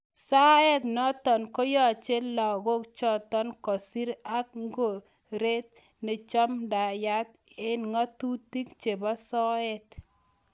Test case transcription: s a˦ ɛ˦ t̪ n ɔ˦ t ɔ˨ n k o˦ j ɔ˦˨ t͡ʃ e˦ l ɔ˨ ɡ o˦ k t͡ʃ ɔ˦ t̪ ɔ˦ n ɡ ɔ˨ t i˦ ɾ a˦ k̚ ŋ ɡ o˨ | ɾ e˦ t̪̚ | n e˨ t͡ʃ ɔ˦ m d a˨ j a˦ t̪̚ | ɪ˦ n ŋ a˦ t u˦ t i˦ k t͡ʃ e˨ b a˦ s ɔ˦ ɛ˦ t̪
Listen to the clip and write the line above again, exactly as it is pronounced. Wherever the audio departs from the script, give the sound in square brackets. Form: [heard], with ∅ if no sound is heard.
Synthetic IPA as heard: s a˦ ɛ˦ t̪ n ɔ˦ t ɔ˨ n k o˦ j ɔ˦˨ t͡ʃ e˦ l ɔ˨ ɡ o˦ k t͡ʃ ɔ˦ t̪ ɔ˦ n [k] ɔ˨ [s] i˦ ɾ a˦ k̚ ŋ ɡ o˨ | ɾ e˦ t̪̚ | n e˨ t͡ʃ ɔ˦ m d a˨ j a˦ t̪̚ | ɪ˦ n ŋ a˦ t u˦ t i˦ k t͡ʃ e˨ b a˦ s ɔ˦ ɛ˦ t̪